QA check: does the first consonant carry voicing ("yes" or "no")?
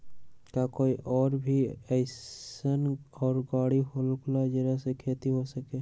no